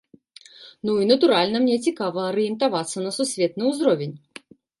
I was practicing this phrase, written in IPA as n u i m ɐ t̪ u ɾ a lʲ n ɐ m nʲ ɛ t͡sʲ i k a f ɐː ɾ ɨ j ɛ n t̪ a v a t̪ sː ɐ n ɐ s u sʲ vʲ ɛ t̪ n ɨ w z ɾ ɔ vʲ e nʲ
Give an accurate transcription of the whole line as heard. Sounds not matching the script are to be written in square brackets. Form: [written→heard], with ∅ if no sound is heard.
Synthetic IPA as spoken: n u i [m→n] ɐ t̪ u ɾ a lʲ n ɐ m nʲ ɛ t͡sʲ i k a [f→v] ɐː ɾ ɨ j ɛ n t̪ a v a t̪ sː ɐ n ɐ s u sʲ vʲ ɛ t̪ n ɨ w z ɾ ɔ vʲ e nʲ